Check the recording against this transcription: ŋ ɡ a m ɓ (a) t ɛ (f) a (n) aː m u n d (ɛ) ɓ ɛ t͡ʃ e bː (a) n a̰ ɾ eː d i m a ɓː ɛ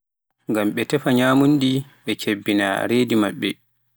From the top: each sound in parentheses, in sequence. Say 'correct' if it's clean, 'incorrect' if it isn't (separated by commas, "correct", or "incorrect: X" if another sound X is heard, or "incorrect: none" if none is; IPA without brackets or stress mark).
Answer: incorrect: ɛ, correct, incorrect: ɲ, incorrect: i, incorrect: i